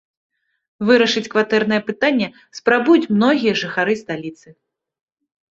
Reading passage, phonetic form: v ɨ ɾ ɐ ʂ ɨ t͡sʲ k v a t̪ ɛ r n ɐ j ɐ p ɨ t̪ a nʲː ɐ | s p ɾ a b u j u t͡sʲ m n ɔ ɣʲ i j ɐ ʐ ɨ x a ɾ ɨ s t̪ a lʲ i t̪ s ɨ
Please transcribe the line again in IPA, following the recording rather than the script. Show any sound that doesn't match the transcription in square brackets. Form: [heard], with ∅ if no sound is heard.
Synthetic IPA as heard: v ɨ ɾ ɐ ʂ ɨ t͡sʲ k v a t̪ ɛ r n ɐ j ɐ p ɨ t̪ a nʲː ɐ | s p ɾ a b u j u t͡sʲ m n ɔ ɣʲ i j ɐ ʐ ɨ x a ɾ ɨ s t̪ a lʲ i t̪ s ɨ